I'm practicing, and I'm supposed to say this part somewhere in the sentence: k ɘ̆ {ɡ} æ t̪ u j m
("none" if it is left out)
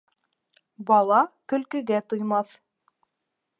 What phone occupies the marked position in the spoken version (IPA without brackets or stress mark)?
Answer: ɡ